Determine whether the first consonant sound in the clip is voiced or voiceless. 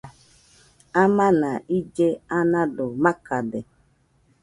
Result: voiced